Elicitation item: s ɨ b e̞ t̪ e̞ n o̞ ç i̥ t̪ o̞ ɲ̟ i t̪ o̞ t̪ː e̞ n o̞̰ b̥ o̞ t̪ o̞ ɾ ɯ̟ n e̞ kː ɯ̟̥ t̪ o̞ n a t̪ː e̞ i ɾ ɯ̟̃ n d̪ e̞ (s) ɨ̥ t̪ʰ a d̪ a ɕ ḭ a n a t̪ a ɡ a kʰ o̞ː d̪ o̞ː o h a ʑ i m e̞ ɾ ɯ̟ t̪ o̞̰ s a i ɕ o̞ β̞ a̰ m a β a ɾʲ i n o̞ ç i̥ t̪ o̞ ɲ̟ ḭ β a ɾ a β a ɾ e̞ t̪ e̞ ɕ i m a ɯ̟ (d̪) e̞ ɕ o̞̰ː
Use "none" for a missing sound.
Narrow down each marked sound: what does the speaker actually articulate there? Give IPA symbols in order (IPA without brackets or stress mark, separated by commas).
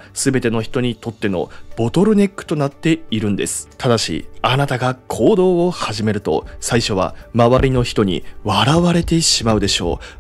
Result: s, d̪